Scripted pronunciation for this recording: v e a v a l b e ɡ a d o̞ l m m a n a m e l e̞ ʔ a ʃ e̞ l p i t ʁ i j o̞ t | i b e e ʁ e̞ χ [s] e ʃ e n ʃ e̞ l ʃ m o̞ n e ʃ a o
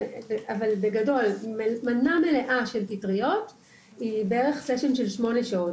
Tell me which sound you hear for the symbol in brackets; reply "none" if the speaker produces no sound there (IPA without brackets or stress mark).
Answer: s